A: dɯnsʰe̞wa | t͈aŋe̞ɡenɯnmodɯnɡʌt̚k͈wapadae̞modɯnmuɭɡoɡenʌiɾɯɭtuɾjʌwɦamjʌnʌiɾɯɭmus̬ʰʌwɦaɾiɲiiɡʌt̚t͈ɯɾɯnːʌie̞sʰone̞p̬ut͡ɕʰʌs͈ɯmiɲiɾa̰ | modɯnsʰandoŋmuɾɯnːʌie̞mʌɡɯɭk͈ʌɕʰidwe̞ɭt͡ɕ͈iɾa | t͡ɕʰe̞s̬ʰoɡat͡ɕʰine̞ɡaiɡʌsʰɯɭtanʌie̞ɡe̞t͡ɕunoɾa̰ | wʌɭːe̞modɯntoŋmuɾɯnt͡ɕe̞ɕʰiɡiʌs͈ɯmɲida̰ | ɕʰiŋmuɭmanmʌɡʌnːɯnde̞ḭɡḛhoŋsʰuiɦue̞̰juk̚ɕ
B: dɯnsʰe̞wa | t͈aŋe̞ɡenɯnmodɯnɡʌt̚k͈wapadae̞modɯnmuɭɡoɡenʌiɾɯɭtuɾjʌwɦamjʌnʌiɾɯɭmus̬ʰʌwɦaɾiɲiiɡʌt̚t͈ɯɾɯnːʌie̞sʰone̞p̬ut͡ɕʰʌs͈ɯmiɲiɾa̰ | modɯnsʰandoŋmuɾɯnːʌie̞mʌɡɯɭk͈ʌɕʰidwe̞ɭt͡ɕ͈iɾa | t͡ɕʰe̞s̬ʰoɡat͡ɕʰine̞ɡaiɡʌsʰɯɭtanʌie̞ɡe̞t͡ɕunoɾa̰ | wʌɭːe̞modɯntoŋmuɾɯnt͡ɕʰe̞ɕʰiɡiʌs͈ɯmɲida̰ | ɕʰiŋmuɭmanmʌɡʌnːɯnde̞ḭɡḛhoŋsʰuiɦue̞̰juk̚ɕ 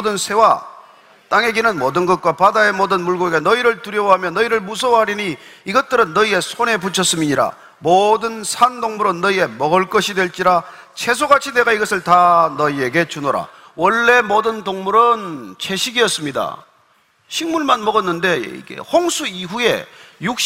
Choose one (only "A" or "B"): B